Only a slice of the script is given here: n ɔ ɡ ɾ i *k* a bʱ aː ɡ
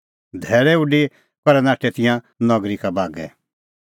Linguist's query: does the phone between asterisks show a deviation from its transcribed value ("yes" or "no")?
no